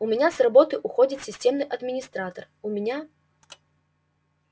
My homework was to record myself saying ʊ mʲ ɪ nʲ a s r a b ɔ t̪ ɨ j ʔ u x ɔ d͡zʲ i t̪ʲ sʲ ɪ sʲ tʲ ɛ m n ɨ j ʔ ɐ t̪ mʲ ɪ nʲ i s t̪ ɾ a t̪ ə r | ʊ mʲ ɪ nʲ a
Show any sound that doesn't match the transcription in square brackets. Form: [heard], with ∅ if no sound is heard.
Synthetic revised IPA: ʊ mʲ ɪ nʲ a s r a b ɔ t̪ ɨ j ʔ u x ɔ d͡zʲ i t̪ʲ sʲ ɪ sʲ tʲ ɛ m n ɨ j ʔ ɐ [d̪] mʲ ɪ nʲ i s t̪ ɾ a t̪ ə r | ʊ mʲ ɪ nʲ a